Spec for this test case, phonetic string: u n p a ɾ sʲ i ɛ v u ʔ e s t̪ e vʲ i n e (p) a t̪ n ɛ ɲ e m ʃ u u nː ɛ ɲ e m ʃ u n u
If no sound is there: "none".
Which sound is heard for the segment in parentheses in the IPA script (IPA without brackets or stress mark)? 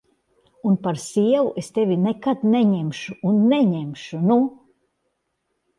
k